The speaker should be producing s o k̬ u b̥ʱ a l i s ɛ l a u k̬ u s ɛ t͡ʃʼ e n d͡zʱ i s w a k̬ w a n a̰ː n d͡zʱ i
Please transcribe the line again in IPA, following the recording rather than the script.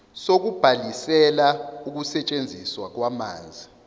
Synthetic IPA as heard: s o k̬ u b̥ʱ a l i s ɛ l a u k̬ u s ɛ t͡ʃʼ e n d͡zʱ i s w a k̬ w a m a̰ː n d͡zʱ i